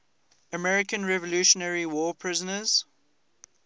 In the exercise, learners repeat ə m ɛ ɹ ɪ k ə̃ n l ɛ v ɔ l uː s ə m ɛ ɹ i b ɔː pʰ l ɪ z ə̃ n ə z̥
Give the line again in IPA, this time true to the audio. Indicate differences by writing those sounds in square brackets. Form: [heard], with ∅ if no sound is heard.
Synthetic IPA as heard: ə m ɛ ɹ ɪ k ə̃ n [ɹ] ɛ v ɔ l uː [ʃ] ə [n] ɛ ɹ i [w] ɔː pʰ [ɹ] ɪ z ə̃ n ə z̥